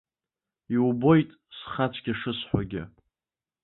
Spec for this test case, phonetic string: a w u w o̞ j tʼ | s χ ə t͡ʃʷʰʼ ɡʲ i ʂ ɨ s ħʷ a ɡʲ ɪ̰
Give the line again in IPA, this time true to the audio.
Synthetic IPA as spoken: i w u b o̞ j tʼ | s χ a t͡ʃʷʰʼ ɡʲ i ʂ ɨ s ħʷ a ɡʲ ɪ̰